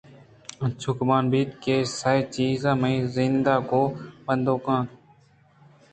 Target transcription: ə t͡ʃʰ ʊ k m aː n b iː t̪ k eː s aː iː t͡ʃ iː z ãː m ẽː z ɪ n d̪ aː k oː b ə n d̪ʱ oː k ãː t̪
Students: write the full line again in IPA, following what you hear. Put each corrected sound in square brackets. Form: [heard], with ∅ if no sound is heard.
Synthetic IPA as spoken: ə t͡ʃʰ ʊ k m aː n b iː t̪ k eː s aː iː t͡ʃ iː z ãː m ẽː z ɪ n d̪ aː k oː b ə n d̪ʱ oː k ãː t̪